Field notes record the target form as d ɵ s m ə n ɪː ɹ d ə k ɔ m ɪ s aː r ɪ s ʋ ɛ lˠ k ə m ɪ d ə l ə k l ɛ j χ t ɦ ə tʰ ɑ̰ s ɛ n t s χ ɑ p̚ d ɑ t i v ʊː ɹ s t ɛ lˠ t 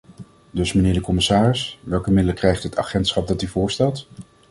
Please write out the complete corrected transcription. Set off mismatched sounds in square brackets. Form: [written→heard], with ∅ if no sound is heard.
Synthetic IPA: d ɵ s m ə n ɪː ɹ d ə k ɔ m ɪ s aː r ɪ s ʋ ɛ lˠ k ə m ɪ d ə l ə k [l→r] ɛ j χ t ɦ ə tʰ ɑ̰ [s→χ] ɛ n t s χ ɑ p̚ d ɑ t [i→y] v ʊː ɹ s t ɛ lˠ t

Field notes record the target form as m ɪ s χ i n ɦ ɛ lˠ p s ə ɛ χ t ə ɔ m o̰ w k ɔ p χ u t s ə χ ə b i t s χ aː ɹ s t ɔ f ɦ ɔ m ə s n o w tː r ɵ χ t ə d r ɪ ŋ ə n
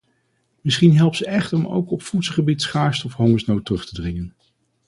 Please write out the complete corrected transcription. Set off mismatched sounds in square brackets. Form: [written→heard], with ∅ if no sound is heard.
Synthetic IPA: m ɪ s χ i n ɦ ɛ lˠ p s ə ɛ χ t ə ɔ m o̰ w k ɔ p [χ→f] u t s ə χ ə b i t s χ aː ɹ s t ɔ f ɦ ɔ [m→ŋ] ə s n o w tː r ɵ χ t ə d r ɪ ŋ ə n

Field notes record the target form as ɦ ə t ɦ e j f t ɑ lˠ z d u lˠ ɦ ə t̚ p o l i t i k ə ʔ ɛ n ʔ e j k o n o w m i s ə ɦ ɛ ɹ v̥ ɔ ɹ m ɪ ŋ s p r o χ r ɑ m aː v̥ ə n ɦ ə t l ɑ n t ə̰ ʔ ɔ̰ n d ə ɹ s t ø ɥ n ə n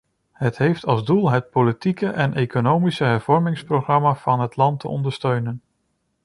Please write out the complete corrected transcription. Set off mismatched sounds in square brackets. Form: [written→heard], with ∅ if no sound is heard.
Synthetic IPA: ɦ ə t ɦ e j f t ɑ lˠ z d u lˠ ɦ ə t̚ p o l i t i k ə ʔ ɛ n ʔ e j k o n o w m i s ə ɦ ɛ ɹ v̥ ɔ ɹ m ɪ ŋ s p r o χ r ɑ m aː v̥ [ə→ɑ] n ɦ ə t l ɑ n t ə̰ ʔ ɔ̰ n d ə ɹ s t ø ɥ n ə n

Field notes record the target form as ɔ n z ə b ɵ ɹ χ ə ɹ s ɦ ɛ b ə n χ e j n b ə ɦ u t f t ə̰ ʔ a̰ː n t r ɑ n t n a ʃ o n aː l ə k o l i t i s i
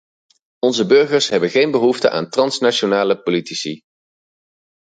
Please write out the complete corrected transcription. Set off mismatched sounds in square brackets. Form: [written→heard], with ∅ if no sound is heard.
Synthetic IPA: ɔ n z ə b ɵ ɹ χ ə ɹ s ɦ ɛ b ə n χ e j n b ə ɦ u [t→∅] f t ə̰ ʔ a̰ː n t r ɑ n [t→s] n a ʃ o n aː l ə [k→p] o l i t i s i

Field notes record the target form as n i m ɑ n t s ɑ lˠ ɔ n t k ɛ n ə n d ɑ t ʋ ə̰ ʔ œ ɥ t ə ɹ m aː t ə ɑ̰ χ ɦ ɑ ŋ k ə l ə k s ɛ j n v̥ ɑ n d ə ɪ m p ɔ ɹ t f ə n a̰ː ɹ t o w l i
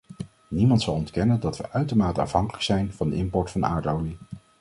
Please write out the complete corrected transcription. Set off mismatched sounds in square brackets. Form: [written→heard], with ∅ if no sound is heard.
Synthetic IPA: n i m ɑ n t s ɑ lˠ ɔ n t k ɛ n ə n d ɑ t ʋ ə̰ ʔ œ ɥ t ə ɹ m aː t ə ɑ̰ [χ→f] ɦ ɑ ŋ k ə l ə k s ɛ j n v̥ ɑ n d ə ɪ m p ɔ ɹ t f [ə→ɑ] n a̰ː ɹ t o w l i

